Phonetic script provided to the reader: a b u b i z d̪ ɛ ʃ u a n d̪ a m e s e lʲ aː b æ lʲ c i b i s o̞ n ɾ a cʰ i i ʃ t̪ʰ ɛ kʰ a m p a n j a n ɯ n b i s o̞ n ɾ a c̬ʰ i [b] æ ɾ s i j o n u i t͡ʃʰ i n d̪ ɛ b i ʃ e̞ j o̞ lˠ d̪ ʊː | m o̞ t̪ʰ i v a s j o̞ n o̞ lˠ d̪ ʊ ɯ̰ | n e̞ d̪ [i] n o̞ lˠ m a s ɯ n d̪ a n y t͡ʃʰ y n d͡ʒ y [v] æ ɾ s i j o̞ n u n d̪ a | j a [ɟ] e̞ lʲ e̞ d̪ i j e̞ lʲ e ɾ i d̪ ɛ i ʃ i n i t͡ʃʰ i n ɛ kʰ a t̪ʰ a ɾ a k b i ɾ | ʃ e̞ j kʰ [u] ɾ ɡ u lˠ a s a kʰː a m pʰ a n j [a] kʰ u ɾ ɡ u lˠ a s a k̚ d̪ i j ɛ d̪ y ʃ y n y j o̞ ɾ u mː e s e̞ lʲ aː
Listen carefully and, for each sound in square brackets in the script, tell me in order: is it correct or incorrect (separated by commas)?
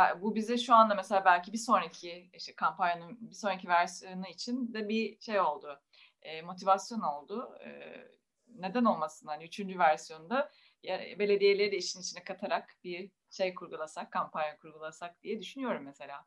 incorrect, incorrect, correct, incorrect, correct, correct